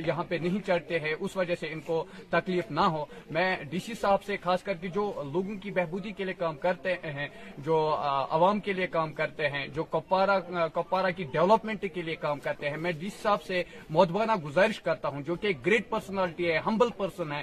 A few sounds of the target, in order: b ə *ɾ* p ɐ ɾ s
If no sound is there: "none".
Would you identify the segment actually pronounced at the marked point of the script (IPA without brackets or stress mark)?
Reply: l